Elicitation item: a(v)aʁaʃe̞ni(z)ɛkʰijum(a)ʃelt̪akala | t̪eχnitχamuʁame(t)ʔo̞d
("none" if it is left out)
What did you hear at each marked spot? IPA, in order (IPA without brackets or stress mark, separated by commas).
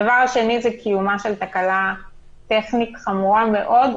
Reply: v, z, a, none